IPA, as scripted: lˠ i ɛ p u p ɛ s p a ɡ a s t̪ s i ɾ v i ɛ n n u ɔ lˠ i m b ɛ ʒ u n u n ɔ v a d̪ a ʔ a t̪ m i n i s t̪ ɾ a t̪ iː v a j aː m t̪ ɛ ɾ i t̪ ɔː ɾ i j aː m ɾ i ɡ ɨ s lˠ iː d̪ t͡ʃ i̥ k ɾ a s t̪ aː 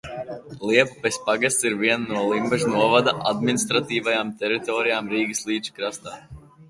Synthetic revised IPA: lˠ i ɛ p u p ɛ s p a ɡ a s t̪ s i ɾ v i ɛ n n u ɔ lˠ i m b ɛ ʒ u n u ɔ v a d̪ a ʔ a d̪ m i n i s t̪ ɾ a t̪ iː v a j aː m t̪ ɛ ɾ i t̪ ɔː ɾ i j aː m ɾ iː ɡ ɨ s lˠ iː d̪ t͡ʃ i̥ k ɾ a s t̪ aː